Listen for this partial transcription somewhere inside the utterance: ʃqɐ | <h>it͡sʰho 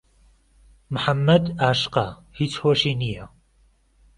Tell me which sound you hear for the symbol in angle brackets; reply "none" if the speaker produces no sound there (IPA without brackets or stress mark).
h